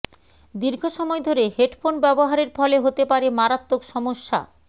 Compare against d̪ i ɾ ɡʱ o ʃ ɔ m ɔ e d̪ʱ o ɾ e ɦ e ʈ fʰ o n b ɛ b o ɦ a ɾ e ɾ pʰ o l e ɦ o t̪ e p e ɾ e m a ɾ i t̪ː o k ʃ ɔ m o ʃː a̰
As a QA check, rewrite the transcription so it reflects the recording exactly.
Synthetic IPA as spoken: d̪ i ɾ ɡʱ o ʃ ɔ m ɔ e d̪ʱ o ɾ e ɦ e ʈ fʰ o n b ɛ b o ɦ a ɾ e ɾ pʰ ɔ l e ɦ o t̪ e p a ɾ e m a ɾ a t̪ː o k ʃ ɔ m o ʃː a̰